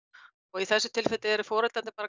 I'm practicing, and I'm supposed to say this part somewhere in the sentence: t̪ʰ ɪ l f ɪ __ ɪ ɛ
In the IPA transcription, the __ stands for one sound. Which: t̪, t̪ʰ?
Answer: t̪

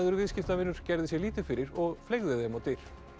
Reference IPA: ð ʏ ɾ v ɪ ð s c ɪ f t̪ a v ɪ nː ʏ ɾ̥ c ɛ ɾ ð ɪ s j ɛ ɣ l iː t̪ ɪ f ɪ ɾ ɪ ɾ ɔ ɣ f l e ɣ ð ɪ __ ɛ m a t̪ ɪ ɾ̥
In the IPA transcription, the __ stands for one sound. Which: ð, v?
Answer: ð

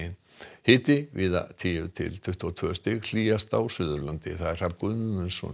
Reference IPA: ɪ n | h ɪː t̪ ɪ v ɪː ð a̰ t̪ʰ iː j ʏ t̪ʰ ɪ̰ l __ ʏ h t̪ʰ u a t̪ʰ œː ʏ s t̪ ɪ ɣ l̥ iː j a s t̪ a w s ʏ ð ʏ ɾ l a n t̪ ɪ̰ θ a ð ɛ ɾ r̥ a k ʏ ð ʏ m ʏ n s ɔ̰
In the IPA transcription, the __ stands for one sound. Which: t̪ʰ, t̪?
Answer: t̪ʰ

